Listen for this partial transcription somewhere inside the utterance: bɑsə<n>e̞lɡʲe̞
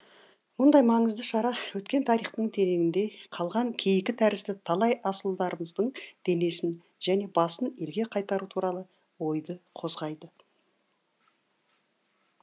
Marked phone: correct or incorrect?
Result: correct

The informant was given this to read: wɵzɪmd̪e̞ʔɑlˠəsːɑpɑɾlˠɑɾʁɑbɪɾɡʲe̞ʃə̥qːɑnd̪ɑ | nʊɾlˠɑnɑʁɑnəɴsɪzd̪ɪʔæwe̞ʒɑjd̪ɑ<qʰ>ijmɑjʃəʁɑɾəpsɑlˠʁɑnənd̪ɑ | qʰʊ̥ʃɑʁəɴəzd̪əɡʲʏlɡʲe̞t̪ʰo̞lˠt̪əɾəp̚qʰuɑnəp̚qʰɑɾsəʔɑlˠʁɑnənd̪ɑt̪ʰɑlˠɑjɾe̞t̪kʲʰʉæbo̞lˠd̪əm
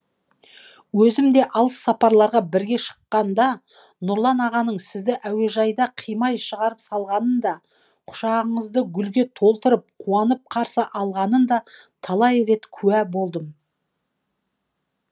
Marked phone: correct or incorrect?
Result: correct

